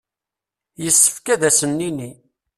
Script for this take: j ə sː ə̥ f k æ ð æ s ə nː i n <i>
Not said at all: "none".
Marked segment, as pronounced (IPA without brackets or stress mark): i